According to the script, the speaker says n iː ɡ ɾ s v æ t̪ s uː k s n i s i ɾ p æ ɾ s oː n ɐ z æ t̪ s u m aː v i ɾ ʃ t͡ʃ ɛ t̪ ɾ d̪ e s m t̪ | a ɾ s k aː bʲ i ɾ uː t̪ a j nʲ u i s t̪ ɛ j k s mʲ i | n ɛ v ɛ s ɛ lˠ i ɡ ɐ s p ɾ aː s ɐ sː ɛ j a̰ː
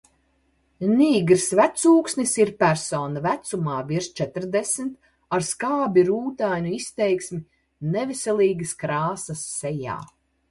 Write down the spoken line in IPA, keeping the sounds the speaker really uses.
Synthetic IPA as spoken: n iː ɡ ɾ s v æ t̪ s uː k s n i s i ɾ p æ ɾ s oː n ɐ v æ t̪ s u m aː v i ɾ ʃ t͡ʃ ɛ t̪ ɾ d̪ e s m t̪ | a ɾ s k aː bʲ i ɾ uː t̪ a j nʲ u i s t̪ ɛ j k s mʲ i | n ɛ v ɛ s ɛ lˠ iː ɡ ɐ s k ɾ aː s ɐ sː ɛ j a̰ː